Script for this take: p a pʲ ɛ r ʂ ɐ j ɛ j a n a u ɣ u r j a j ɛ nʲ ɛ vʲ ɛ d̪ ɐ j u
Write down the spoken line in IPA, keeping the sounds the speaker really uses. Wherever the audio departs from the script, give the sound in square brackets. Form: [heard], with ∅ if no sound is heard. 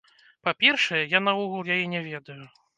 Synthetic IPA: p a pʲ ɛ r ʂ ɐ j ɛ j a n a u ɣ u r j a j ɛ nʲ ɛ vʲ ɛ d̪ ɐ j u